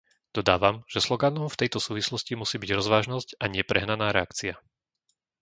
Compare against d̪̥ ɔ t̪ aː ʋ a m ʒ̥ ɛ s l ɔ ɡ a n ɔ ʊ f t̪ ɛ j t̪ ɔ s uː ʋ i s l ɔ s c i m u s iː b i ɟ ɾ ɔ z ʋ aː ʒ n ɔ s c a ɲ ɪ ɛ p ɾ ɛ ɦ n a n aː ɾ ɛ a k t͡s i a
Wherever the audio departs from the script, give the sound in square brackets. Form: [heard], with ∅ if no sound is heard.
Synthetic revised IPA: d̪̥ ɔ [d̪] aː ʋ a m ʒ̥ ɛ s l ɔ ɡ a n ɔ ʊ f t̪ ɛ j t̪ ɔ s uː ʋ i s l ɔ s c i m u s iː b i ɟ ɾ ɔ z ʋ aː ʒ n ɔ s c a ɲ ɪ ɛ p ɾ ɛ ɦ n a n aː ɾ ɛ a k t͡s i a